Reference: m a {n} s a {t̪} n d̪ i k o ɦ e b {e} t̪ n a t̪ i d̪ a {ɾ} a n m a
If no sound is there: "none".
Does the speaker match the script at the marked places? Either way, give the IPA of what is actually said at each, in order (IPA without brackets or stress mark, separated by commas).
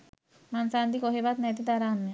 n, none, a, ɾ